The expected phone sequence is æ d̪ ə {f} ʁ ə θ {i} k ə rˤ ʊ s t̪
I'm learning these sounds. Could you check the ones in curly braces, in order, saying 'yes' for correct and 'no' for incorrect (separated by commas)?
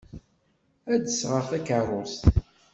no, no